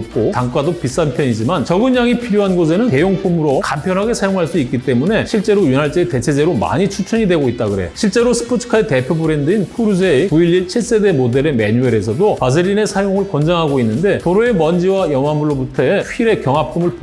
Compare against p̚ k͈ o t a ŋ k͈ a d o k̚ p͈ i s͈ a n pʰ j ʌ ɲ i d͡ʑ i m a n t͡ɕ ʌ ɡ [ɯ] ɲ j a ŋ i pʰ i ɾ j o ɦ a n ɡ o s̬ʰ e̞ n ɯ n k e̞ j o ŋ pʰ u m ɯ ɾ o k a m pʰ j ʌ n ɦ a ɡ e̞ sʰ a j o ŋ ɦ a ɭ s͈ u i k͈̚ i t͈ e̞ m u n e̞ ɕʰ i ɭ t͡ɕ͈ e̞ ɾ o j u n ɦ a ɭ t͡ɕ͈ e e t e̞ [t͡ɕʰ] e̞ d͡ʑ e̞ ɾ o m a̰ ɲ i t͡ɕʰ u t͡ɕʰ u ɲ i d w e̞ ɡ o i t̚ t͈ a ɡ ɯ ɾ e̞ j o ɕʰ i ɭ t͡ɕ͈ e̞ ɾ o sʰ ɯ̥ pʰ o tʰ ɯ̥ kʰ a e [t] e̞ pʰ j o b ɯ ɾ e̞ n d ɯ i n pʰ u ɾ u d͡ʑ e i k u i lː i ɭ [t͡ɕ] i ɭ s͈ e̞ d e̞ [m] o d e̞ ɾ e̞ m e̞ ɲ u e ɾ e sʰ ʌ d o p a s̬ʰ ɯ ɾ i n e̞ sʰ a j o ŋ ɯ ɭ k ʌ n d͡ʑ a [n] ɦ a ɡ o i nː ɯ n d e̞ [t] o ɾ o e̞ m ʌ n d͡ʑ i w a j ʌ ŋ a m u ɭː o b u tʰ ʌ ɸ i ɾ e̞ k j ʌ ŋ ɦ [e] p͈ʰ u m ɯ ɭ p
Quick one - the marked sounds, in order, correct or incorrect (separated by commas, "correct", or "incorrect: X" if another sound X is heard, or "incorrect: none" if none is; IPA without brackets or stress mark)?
correct, correct, correct, incorrect: t͡ɕʰ, correct, incorrect: ŋ, correct, incorrect: a